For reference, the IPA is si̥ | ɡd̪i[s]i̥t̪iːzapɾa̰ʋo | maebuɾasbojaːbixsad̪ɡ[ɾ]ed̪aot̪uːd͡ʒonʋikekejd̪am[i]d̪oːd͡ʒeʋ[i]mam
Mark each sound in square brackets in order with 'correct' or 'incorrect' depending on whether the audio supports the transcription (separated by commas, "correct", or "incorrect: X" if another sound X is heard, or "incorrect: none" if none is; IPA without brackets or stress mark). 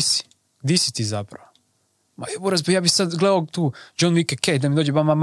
correct, incorrect: l, correct, incorrect: a